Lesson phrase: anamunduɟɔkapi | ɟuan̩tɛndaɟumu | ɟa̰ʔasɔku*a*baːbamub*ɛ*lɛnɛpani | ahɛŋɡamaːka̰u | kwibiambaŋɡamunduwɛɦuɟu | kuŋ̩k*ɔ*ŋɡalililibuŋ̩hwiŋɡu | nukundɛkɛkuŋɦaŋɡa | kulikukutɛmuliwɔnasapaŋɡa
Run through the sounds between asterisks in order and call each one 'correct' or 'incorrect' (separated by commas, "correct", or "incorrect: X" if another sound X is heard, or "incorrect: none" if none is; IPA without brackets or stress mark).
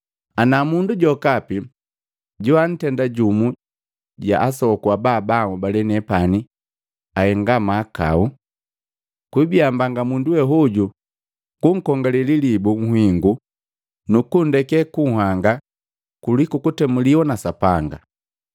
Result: correct, incorrect: a, correct